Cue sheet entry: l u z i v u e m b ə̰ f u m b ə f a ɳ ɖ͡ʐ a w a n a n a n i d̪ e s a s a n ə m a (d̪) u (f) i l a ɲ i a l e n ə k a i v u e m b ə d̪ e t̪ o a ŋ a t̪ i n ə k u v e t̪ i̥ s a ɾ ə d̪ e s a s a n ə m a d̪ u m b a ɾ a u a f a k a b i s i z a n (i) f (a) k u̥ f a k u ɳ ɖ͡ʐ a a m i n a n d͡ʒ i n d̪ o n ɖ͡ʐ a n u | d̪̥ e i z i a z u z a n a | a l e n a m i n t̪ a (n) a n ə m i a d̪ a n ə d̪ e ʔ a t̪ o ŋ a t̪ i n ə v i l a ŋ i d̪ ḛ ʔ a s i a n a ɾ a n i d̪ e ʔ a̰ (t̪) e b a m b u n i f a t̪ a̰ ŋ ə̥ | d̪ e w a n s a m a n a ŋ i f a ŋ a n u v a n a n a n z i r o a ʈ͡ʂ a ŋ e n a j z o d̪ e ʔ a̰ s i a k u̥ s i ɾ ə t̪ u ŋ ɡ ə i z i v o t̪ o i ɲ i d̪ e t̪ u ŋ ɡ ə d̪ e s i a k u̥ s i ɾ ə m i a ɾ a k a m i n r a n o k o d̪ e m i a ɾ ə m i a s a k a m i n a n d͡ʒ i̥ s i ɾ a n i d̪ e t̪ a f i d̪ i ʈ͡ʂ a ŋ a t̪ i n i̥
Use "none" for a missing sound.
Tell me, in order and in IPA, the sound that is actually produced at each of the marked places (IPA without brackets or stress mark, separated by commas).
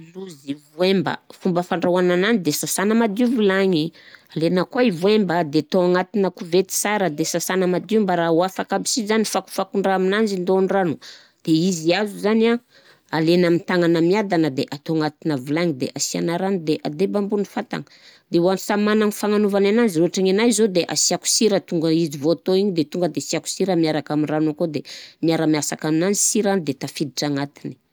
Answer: d̪, v, i, a, ŋ, d̪